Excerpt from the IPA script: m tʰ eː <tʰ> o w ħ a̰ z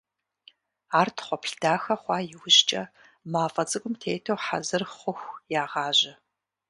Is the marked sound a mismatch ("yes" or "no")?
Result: no